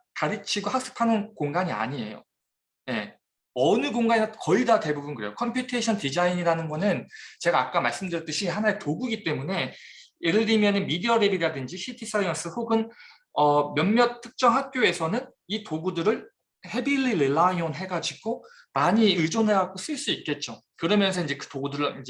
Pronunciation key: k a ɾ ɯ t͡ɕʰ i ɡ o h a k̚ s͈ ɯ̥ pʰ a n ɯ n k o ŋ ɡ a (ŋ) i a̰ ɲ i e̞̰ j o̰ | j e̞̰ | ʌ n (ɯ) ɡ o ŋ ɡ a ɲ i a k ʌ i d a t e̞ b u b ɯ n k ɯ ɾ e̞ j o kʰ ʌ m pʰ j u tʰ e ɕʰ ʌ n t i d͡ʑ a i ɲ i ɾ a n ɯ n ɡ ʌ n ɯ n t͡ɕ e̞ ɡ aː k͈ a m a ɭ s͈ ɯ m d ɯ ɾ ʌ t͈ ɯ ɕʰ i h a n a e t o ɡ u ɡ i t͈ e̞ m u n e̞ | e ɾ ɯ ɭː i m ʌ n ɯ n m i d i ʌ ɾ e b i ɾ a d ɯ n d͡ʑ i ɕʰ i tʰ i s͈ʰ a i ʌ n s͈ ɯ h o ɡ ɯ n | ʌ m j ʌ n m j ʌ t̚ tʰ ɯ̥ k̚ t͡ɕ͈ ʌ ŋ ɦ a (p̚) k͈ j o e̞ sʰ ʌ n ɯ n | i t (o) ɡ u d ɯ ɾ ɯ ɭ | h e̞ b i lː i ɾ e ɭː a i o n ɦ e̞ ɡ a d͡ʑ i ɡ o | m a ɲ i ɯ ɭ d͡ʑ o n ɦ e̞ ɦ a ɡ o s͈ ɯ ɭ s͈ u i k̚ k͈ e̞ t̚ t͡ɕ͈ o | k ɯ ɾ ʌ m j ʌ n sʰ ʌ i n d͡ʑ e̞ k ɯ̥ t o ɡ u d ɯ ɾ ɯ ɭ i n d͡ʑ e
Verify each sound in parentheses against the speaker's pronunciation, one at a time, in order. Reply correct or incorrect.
incorrect, correct, incorrect, correct

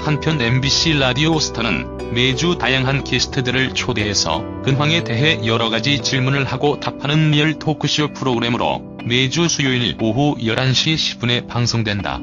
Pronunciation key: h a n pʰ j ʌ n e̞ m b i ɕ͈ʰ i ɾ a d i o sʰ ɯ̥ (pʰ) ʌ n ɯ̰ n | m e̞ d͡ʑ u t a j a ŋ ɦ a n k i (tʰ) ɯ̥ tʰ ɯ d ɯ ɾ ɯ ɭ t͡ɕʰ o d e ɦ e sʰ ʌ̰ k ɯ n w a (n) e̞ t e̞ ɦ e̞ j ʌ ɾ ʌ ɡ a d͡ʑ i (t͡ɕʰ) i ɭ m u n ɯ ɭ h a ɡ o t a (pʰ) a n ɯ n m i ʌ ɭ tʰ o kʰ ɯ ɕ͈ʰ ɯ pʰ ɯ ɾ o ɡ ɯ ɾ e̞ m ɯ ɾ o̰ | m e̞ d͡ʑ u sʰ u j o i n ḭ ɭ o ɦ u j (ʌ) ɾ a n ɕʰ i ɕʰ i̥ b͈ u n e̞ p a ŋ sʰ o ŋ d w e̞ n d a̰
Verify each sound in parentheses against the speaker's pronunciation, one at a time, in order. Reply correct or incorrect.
incorrect, incorrect, incorrect, incorrect, correct, correct

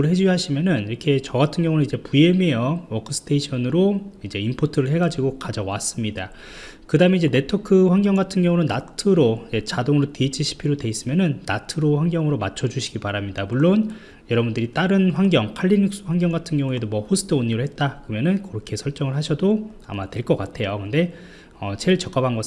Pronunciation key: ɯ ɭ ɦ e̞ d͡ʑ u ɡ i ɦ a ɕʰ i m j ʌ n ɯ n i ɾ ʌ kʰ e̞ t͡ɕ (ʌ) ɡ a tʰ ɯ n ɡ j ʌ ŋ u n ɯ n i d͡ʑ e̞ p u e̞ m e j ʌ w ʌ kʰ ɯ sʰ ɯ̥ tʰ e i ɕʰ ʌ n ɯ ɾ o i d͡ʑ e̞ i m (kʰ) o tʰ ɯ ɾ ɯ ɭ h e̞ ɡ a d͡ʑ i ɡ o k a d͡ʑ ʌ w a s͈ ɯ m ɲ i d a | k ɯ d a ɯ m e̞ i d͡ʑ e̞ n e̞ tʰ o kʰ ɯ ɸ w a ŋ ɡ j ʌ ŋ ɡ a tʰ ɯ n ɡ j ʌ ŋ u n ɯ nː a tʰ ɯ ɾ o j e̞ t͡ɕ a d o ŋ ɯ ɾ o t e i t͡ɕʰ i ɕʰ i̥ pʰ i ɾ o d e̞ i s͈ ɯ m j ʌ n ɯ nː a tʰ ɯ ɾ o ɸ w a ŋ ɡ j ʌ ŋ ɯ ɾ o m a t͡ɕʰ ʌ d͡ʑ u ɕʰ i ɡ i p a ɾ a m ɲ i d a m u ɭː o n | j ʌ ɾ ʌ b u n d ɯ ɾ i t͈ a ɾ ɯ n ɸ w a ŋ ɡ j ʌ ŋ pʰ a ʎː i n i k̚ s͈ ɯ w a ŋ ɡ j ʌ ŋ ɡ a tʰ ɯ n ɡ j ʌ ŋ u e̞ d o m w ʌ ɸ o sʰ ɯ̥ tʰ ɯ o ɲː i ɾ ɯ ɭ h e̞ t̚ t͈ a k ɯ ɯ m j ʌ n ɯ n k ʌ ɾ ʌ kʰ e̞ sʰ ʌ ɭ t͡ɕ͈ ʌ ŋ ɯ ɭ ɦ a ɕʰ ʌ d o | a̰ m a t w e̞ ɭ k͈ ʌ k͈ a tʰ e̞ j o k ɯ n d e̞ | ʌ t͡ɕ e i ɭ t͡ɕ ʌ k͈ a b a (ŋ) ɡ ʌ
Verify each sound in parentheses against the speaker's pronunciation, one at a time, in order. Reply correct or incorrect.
correct, incorrect, incorrect

